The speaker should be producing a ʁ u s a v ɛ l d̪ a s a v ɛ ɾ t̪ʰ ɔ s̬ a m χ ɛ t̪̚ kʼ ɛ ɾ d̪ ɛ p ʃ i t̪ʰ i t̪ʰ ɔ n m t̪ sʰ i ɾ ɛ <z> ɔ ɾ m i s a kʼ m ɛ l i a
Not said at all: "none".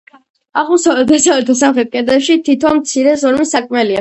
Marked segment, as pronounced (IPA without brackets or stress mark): z